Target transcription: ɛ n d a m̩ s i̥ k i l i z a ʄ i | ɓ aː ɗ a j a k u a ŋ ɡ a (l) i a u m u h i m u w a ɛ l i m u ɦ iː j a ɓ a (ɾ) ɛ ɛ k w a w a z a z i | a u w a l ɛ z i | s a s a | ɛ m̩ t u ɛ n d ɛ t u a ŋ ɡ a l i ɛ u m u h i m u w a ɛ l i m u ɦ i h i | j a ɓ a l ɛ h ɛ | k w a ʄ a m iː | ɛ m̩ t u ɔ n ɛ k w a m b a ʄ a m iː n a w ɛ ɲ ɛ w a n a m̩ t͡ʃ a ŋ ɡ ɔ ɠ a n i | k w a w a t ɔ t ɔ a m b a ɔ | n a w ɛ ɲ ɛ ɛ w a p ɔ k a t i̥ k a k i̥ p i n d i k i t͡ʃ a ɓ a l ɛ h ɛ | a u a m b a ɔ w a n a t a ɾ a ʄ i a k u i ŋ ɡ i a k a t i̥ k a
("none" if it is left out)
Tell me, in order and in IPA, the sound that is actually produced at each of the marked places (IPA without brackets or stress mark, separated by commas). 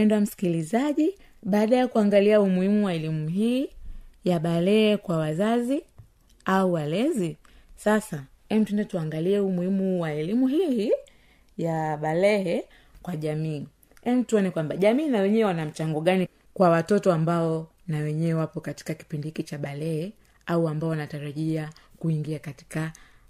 l, l